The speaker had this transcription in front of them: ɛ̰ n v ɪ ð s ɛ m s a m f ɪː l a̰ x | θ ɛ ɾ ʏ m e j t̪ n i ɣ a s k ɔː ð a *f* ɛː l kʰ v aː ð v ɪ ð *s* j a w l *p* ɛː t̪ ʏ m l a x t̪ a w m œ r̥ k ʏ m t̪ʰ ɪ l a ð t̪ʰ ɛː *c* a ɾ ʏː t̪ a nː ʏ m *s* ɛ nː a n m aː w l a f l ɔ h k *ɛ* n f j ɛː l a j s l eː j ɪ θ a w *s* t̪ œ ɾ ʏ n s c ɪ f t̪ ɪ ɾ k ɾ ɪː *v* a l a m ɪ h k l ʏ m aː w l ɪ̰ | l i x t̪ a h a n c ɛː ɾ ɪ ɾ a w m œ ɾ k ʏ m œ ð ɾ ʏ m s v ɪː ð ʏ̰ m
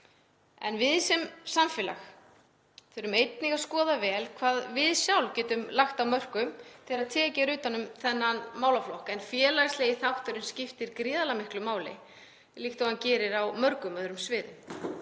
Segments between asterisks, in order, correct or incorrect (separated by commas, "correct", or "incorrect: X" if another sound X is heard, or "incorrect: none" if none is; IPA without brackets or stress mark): incorrect: v, correct, incorrect: c, correct, incorrect: θ, correct, incorrect: h, incorrect: ð